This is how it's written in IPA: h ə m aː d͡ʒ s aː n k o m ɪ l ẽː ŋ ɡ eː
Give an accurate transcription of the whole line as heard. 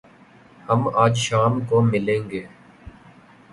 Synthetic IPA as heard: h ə m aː d͡ʒ ʃ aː m k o m ɪ l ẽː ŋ ɡ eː